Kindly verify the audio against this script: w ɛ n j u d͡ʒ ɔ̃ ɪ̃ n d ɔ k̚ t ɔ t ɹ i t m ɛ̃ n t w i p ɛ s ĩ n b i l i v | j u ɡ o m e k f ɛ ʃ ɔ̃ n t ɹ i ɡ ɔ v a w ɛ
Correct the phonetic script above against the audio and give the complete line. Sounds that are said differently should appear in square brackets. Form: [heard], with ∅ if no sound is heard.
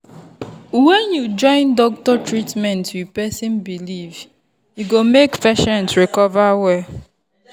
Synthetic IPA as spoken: w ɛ n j u d͡ʒ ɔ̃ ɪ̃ n d ɔ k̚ t ɔ t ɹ i t m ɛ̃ n t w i p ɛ s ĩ n b i l i v | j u ɡ o m e k f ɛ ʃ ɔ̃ n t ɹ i [k] ɔ v a w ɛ